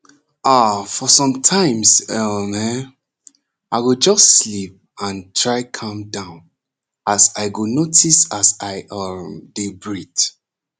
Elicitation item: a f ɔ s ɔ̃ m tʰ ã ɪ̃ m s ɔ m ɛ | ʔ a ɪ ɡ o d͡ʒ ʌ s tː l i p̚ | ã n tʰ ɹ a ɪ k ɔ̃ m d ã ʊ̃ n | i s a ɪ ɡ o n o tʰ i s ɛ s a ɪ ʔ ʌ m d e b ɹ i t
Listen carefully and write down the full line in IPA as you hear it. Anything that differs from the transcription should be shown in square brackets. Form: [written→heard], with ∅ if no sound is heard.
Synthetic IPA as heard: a f ɔ s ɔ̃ m tʰ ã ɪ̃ m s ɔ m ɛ | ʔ a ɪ ɡ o d͡ʒ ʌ s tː l i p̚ | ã n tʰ ɹ a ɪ [k→kʰ] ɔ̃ m d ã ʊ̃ n | [i→a] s a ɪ ɡ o n o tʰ i s [ɛ→a] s a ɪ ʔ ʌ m d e b ɹ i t